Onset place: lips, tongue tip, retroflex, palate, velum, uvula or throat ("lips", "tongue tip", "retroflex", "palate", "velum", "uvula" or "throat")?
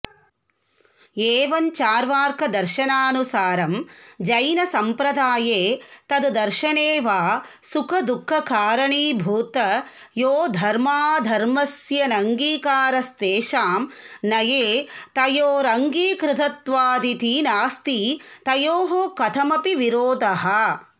lips